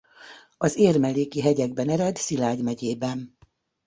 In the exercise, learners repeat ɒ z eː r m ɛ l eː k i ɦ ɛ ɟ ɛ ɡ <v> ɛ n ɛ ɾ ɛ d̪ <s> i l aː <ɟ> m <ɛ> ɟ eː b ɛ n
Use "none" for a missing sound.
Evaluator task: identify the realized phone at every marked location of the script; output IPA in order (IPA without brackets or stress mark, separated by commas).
b, s, ɟ, ɛ